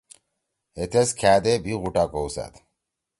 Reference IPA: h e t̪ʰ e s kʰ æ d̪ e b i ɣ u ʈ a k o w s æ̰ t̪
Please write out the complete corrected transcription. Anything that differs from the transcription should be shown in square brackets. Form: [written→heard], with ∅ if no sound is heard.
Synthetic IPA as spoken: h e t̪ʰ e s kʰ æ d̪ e b i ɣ u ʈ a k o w s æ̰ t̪